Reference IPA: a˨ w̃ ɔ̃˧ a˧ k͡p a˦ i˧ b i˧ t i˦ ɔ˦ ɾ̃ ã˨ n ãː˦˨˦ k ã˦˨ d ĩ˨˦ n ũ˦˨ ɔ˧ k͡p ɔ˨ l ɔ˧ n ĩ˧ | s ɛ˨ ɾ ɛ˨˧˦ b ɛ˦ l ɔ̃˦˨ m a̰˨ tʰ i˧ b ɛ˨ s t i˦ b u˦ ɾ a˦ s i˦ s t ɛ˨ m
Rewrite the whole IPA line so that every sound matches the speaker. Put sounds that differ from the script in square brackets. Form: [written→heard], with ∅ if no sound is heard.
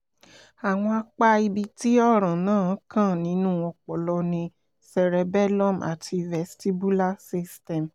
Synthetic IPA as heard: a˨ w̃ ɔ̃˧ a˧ k͡p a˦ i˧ b i˧ t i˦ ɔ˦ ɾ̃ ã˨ n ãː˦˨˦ k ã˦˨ [d→n] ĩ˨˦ n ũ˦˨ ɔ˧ k͡p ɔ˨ l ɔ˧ n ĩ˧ | s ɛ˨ ɾ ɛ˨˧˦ b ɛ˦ l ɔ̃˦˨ m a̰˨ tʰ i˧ [b→v] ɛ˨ s t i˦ b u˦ [ɾ→l] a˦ s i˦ s t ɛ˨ m